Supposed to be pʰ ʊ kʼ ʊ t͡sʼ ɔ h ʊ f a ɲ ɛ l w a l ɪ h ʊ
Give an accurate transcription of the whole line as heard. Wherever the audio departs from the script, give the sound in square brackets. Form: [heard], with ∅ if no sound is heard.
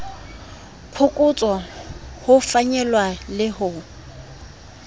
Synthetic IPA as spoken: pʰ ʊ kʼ ʊ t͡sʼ ɔ h ʊ f a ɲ ɛ l w a l ɪ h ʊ